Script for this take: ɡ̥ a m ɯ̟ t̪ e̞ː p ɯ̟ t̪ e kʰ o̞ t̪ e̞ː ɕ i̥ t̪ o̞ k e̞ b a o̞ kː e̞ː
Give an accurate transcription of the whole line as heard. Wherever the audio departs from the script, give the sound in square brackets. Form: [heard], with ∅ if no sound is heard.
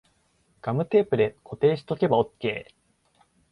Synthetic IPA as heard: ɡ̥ a m ɯ̟ t̪ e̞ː p ɯ̟ [d̪] e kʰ o̞ t̪ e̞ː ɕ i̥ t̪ o̞ k e̞ b a o̞ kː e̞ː

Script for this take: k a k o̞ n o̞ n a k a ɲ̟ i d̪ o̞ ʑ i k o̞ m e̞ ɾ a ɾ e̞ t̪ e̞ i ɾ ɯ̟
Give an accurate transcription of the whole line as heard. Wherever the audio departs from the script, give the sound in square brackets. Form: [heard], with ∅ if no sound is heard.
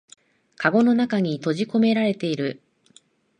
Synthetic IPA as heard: k a [ɡ] o̞ n o̞ n a k a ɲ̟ i [t̪] o̞ ʑ i k o̞ m e̞ ɾ a ɾ e̞ t̪ e̞ i ɾ ɯ̟

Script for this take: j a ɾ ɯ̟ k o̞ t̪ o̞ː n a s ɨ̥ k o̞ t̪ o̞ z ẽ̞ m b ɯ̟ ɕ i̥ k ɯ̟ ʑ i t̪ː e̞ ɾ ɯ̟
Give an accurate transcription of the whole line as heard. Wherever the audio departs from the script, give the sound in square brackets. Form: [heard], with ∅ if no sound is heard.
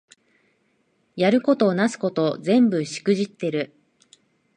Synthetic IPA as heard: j a ɾ ɯ̟ k o̞ t̪ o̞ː n a s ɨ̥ k o̞ t̪ o̞ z ẽ̞ m b ɯ̟ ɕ i̥ k ɯ̟ ʑ i t̪ː e̞ ɾ ɯ̟

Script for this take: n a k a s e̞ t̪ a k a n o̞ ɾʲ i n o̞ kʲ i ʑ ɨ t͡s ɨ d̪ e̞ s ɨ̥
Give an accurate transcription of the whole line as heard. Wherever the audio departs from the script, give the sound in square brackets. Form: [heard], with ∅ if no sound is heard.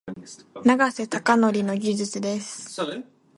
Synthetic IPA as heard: n a [ɡ] a s e̞ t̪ a k a n o̞ ɾʲ i n o̞ [ɡʲ] i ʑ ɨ t͡s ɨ d̪ e̞ s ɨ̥

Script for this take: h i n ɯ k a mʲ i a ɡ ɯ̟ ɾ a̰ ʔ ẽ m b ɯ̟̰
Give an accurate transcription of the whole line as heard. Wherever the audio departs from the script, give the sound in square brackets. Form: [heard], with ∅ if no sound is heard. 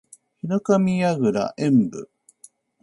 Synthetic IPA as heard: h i n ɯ k a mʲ i a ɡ ɯ̟ ɾ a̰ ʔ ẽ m b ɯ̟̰

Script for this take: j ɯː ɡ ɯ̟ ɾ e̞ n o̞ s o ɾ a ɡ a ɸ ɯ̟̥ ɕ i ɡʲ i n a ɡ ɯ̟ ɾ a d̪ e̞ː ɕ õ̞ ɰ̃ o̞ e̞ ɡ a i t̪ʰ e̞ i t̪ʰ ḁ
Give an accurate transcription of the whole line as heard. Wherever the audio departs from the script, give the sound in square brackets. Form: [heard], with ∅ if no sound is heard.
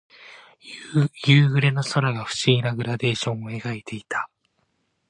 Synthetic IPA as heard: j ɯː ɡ ɯ̟ ɾ e̞ n o̞ s o ɾ a ɡ a ɸ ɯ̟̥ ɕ i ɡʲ i n a ɡ ɯ̟ ɾ a d̪ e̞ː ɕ õ̞ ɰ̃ o̞ e̞ ɡ a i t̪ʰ e̞ i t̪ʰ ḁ

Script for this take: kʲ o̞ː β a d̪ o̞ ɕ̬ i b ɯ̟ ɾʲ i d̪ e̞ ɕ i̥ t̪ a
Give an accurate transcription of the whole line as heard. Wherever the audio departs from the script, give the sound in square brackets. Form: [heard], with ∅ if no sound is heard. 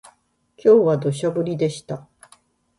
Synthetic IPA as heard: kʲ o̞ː β a d̪ o̞ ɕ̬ [a] b ɯ̟ ɾʲ i d̪ e̞ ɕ i̥ t̪ a

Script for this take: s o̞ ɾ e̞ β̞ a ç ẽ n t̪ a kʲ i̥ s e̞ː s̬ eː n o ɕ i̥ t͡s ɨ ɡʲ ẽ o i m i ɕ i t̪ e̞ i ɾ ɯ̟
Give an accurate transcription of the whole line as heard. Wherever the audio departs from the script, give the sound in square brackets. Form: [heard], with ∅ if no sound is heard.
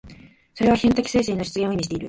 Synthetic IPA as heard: s o̞ ɾ e̞ β̞ a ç ẽ n t̪ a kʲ i̥ s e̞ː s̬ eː n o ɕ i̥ t͡s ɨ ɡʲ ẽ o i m i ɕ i t̪ e̞ i ɾ ɯ̟

